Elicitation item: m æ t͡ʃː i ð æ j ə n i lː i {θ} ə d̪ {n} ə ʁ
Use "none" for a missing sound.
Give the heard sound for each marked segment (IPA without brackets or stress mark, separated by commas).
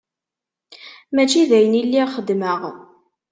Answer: χ, m